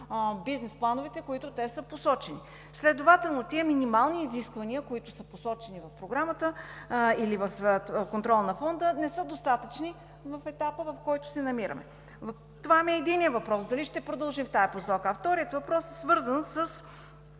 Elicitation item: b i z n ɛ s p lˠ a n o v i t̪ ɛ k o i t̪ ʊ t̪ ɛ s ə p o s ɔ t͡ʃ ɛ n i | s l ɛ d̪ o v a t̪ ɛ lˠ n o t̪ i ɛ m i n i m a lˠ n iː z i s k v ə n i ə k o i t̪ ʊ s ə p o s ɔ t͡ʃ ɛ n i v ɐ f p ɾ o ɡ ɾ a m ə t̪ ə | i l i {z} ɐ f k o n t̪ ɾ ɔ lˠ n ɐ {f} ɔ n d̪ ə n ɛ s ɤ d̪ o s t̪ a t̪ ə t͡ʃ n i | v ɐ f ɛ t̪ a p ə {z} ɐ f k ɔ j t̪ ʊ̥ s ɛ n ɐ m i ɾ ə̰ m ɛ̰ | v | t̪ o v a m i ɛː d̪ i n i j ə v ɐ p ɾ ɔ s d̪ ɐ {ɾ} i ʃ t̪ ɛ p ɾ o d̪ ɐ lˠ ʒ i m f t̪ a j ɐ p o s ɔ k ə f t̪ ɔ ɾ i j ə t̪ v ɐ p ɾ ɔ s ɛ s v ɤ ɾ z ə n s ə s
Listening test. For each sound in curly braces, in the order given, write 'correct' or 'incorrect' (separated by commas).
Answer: incorrect, correct, incorrect, incorrect